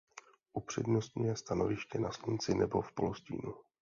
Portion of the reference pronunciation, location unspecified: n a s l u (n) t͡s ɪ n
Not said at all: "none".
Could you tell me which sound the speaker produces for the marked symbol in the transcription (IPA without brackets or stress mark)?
n